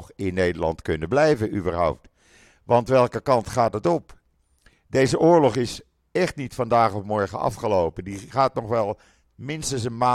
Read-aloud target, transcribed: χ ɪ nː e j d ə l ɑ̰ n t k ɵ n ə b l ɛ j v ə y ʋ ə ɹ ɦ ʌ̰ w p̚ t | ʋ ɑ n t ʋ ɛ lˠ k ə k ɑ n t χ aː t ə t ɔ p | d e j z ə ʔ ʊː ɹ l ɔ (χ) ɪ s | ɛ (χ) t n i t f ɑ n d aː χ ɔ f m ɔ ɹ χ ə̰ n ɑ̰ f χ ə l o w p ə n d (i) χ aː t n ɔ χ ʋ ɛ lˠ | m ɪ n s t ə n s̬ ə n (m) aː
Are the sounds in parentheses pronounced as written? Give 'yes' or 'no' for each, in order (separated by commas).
yes, yes, yes, yes